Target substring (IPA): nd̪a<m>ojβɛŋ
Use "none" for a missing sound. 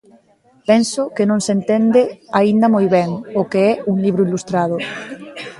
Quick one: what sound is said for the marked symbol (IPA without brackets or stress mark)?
m